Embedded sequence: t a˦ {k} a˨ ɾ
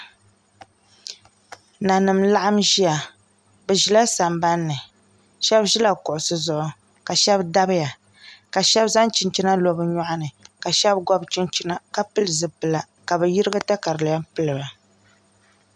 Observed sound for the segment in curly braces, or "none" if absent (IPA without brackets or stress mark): k